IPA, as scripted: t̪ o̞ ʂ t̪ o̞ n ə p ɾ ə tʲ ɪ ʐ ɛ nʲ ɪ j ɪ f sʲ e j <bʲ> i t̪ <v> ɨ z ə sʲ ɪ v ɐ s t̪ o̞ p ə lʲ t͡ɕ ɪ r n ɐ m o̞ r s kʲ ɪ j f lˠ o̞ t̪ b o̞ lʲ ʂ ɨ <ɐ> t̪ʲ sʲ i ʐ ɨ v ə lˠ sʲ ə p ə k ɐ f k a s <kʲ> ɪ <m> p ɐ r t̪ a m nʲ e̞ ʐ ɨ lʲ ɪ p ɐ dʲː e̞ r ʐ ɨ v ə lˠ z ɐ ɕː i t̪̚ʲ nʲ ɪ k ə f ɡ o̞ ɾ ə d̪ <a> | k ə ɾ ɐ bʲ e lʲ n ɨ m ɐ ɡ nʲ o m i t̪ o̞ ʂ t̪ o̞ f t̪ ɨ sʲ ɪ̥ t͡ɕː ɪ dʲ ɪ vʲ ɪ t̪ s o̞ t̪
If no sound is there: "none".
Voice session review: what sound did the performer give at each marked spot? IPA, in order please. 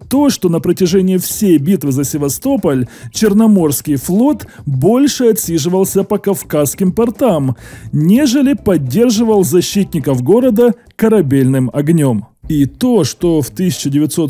bʲ, v, ɐ, kʲ, m, ə

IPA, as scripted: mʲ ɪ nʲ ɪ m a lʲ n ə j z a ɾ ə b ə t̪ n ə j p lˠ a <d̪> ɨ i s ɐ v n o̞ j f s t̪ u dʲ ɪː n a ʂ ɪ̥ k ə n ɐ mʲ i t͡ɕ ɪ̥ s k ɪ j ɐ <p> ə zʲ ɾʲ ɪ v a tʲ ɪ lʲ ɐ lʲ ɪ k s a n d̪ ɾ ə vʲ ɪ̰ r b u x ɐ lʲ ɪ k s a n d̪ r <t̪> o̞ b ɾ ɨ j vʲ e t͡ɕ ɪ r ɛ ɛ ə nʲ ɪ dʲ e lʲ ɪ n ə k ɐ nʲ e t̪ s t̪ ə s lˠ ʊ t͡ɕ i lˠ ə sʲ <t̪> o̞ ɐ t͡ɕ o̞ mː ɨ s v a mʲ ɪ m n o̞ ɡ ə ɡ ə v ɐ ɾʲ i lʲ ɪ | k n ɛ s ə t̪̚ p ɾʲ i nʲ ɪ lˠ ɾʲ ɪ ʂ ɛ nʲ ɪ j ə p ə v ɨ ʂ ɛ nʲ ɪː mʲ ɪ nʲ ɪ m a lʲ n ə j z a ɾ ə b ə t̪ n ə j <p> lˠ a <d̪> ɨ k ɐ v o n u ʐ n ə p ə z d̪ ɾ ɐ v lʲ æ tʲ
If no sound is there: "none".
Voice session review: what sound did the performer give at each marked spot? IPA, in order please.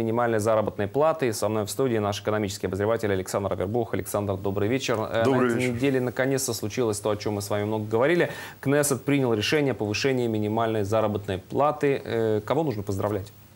t̪, b, d̪, t̪, p, t̪

